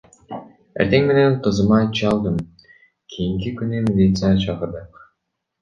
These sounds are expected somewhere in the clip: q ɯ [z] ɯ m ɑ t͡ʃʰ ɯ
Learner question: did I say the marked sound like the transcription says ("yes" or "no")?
yes